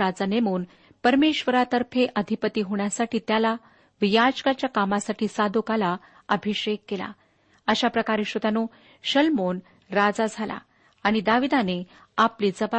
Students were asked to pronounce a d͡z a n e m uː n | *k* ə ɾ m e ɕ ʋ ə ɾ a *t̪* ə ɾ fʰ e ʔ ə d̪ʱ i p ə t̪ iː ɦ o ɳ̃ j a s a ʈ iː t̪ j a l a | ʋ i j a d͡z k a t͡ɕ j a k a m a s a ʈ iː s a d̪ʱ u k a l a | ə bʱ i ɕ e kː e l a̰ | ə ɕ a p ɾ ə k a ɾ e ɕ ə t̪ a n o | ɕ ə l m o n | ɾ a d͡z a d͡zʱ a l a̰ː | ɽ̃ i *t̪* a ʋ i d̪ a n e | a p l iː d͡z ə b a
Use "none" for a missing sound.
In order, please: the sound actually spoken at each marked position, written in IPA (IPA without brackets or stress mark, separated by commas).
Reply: p, t̪, d̪